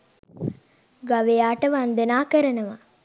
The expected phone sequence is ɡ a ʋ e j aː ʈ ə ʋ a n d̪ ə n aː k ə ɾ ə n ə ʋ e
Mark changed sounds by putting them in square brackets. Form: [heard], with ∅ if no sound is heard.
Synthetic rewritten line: ɡ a ʋ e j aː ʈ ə ʋ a n d̪ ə n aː k ə ɾ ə n ə ʋ [a]